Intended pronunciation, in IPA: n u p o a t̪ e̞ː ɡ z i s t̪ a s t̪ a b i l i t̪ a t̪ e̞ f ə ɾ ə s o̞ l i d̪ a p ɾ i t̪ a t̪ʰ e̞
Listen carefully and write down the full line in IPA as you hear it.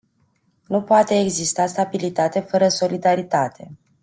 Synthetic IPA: n u p o a t̪ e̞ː ɡ z i s t̪ a s t̪ a b i l i t̪ a t̪ e̞ f ə ɾ ə s o̞ l i d̪ a ɾ i t̪ a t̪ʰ e̞